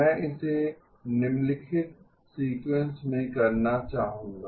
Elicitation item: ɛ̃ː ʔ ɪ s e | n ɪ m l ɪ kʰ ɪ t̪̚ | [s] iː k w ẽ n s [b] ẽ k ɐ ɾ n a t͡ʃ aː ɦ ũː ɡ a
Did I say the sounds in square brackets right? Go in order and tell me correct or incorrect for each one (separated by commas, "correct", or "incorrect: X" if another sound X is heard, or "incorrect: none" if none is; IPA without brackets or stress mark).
correct, incorrect: m